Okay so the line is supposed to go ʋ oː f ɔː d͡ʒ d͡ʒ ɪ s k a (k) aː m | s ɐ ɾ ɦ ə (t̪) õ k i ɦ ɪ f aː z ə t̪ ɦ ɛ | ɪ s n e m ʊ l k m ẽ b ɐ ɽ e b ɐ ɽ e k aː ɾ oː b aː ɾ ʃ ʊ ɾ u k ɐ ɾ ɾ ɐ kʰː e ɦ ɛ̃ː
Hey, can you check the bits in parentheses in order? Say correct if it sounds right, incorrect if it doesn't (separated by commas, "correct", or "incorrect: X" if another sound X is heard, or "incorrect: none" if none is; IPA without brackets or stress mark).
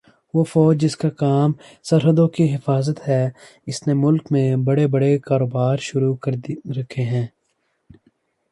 correct, incorrect: d̪